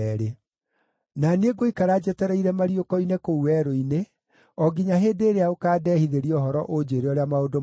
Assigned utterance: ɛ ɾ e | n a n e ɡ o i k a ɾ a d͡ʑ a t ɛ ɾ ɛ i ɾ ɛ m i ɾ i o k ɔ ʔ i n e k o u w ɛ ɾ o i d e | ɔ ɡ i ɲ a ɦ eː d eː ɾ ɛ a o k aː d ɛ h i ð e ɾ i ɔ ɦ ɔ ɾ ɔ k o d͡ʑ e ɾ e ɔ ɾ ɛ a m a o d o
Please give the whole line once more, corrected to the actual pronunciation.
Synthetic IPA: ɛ ɾ e | n a n e ɡ o i k a ɾ a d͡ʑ ɛ t ɛ ɾ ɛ i ɾ ɛ m a ɾ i o k ɔ i n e k o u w ɛ ɾ o i n e | ɔ ɡ i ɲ a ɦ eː d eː ɾ e a o k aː d ɛ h i ð e ɾ i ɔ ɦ ɔ ɾ ɔ ʔ o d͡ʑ e ɾ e ɔ ɾ e a m a o d o